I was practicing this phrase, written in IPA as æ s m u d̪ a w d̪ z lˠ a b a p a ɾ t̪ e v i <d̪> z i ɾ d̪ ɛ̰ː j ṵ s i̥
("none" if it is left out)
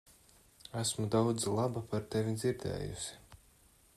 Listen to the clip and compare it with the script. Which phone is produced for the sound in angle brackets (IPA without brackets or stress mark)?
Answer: d̪